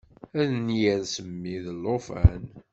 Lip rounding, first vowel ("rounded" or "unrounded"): unrounded